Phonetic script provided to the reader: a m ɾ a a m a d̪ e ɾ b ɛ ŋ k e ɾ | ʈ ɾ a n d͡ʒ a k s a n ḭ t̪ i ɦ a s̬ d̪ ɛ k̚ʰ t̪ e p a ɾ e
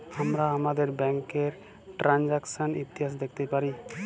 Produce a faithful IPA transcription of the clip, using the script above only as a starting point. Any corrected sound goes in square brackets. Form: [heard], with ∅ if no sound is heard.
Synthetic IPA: a m ɾ a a m a d̪ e ɾ b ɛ ŋ k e ɾ | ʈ ɾ a n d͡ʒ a k s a n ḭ t̪ i ɦ a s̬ d̪ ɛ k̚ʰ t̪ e p a ɾ [i]